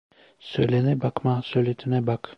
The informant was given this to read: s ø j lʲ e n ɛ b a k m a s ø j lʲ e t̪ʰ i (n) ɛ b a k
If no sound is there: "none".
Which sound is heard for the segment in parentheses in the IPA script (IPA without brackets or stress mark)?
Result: n